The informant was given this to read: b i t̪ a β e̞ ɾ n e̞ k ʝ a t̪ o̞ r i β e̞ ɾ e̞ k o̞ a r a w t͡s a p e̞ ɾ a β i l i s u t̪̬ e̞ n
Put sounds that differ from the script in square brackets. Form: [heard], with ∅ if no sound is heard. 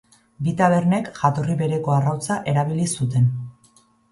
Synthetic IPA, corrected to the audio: b i t̪ a β e̞ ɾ n e̞ k ʝ a t̪ o̞ r i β e̞ ɾ e̞ k o̞ a r a w t͡s a [ʔ] e̞ ɾ a β i l i s u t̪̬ e̞ n